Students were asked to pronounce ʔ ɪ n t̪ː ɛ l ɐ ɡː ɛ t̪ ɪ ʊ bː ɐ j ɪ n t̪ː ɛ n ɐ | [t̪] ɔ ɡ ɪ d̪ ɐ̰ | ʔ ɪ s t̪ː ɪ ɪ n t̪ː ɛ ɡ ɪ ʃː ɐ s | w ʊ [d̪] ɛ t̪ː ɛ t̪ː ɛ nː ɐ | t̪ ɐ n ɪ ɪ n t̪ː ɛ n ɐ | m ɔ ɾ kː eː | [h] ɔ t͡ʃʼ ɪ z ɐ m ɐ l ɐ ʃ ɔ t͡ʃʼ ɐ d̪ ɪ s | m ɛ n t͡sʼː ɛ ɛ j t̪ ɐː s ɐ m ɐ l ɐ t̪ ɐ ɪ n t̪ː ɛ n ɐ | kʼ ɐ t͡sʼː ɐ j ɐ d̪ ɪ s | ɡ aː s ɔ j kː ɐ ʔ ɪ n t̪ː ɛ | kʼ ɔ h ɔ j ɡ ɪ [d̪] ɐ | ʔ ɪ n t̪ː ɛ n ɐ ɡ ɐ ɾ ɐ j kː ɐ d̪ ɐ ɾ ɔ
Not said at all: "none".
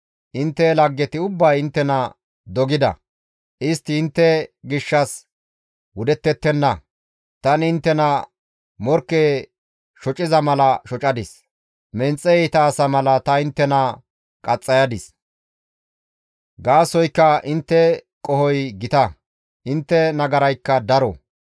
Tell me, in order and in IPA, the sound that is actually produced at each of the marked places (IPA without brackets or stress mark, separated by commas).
d̪, d̪, ʃ, t̪